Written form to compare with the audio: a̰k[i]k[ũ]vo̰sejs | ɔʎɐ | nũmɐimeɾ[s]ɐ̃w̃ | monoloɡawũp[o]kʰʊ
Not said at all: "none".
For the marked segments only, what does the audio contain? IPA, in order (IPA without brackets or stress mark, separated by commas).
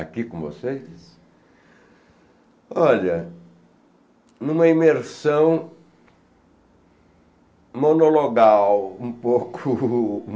i, õ, s, o